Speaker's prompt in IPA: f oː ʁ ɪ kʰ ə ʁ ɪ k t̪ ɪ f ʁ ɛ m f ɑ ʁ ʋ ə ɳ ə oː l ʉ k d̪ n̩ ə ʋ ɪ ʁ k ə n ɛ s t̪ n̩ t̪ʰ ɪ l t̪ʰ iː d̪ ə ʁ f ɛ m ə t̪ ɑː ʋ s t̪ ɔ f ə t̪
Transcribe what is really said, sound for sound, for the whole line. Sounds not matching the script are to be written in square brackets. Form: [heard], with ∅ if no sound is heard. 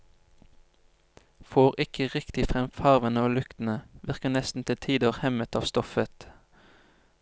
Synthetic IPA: f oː ʁ ɪ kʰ ə ʁ ɪ k t̪ ɪ f ʁ ɛ m f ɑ ʁ ʋ ə [n] ə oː l ʉ k [t̪] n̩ ə ʋ ɪ ʁ k ə n ɛ s t̪ n̩ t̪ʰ ɪ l t̪ʰ iː d̪ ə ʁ [h] ɛ m ə t̪ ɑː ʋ s t̪ ɔ f ə t̪